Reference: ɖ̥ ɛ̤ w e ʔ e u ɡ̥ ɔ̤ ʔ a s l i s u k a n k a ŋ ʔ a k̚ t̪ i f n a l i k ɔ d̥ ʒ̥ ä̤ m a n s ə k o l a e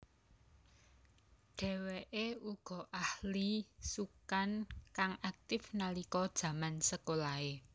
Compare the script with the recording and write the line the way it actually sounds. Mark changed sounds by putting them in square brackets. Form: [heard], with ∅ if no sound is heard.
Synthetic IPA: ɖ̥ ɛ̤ w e ʔ e u ɡ̥ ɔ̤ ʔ a [h] l i s u k a n k a ŋ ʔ a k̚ t̪ [ɪ] f n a l i k ɔ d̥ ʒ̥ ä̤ m a n s ə k o l a e